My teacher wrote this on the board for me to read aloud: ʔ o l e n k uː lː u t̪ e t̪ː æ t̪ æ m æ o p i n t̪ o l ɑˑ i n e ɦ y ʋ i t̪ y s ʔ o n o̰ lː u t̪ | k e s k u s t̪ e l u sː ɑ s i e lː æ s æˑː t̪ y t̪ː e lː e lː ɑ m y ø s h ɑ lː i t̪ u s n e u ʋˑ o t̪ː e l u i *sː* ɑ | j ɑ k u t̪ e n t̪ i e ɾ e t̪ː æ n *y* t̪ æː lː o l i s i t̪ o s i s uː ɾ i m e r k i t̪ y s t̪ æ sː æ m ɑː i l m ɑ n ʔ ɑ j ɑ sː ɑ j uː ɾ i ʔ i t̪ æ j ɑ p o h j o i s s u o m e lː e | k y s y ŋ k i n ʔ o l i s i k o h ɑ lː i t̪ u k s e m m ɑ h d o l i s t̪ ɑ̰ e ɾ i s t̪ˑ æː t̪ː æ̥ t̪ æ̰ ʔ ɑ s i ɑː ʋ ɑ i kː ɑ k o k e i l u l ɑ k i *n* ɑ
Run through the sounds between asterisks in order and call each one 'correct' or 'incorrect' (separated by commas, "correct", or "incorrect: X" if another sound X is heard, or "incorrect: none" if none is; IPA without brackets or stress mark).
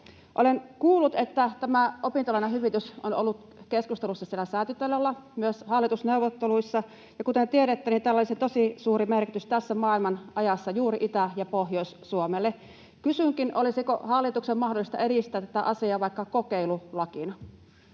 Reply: correct, incorrect: i, correct